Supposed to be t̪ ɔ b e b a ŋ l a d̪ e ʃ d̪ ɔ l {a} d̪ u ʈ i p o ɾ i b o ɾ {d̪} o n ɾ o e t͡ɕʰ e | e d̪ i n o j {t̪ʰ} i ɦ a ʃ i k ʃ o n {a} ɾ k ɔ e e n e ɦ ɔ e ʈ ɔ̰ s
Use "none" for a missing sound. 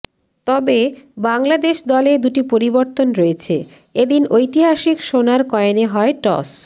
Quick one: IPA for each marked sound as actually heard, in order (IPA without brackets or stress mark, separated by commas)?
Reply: e, t̪, t̪, a